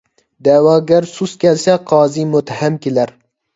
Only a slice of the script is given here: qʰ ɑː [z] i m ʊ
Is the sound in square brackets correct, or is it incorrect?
correct